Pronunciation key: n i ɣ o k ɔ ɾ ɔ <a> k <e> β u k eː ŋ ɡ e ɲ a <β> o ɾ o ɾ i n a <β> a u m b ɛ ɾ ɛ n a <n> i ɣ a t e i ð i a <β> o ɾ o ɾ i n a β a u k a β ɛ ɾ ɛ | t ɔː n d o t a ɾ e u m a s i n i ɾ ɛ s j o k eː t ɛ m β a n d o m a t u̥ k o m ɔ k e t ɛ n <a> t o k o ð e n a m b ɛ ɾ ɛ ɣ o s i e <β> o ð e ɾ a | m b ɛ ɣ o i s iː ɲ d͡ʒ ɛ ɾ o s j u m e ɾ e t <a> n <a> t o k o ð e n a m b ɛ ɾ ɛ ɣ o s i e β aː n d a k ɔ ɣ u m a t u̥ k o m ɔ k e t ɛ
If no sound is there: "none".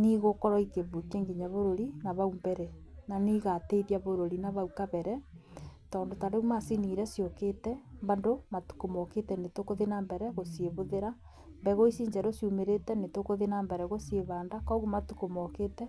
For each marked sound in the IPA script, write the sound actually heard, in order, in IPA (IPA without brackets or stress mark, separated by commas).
i, e, β, β, n, β, e, β, ɛ, e